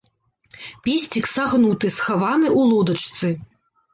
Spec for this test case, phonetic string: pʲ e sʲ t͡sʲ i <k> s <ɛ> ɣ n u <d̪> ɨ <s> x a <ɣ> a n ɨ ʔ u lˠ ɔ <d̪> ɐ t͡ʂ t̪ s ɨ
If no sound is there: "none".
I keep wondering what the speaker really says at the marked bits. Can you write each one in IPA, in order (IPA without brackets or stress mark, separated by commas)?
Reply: k, a, t̪, s, v, d̪